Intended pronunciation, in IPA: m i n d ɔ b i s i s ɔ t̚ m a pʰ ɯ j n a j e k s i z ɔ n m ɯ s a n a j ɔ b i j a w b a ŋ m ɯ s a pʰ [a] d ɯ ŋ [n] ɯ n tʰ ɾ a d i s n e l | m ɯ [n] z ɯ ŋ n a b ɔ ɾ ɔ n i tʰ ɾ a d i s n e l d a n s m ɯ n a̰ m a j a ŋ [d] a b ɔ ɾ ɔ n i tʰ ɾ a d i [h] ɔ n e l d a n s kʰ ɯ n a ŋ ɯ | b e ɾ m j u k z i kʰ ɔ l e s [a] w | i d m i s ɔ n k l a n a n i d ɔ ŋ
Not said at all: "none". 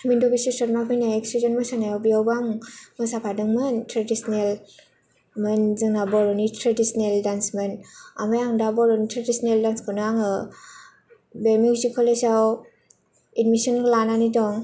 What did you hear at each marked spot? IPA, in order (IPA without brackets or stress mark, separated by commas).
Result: a, m, n, d, s, a